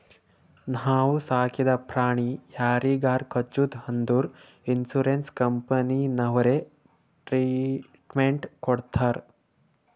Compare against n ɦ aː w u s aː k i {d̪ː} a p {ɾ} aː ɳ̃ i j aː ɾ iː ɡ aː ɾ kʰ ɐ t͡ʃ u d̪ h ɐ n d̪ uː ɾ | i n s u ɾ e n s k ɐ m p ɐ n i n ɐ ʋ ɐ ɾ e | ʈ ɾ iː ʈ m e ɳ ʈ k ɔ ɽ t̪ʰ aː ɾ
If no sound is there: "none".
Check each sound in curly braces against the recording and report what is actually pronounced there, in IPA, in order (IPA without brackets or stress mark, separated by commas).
d̪, ɾ